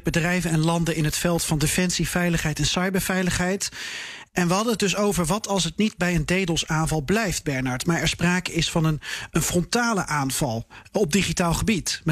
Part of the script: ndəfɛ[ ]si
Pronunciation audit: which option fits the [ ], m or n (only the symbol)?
n